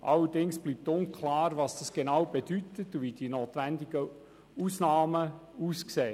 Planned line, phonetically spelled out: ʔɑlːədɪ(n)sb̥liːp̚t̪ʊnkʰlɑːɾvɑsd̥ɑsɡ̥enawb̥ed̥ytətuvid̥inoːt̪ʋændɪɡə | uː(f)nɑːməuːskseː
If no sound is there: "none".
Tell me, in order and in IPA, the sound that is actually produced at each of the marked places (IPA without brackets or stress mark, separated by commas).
ŋ, s